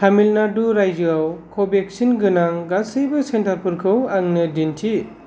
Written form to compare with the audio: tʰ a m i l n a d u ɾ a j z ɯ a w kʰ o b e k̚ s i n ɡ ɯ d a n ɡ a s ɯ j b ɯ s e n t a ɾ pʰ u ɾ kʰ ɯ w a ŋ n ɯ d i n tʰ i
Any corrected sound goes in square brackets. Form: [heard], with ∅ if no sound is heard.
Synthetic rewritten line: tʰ a m i l n a d u ɾ a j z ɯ a w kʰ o b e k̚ s i n ɡ ɯ [n] a [ŋ] ɡ a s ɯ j b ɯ s e n t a ɾ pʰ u ɾ kʰ ɯ w a ŋ n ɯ d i n tʰ i